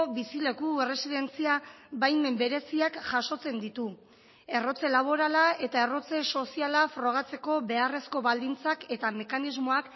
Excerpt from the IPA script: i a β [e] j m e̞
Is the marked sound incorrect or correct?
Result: incorrect